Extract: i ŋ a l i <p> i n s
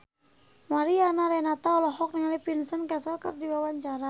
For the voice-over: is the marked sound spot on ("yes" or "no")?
yes